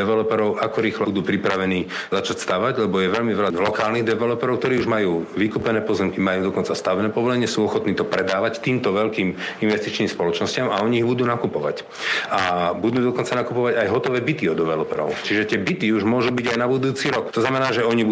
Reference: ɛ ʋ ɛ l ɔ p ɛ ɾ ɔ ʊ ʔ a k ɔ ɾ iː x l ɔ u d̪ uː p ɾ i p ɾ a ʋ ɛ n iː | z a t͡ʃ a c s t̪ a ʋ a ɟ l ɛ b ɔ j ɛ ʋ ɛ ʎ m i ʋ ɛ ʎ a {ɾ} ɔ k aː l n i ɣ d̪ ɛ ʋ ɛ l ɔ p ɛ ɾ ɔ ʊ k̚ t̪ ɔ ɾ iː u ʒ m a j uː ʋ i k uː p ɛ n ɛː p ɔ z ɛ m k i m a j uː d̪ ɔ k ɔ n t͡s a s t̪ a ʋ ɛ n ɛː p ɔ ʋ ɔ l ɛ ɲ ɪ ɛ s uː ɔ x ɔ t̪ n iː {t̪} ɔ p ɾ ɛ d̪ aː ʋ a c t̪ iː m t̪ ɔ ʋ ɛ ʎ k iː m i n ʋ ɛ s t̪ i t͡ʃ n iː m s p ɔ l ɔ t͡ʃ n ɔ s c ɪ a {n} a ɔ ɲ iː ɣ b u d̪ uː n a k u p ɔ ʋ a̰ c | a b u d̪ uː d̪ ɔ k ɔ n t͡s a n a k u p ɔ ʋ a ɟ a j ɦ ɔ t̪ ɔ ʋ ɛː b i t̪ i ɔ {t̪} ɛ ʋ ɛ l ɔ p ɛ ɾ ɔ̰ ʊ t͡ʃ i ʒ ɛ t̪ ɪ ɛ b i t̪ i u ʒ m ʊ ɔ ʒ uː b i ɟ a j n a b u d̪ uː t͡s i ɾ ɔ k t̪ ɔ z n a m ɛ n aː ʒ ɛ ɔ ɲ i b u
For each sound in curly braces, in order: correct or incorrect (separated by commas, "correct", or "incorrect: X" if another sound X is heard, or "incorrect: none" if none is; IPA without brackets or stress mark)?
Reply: incorrect: l, correct, incorrect: m, incorrect: d̪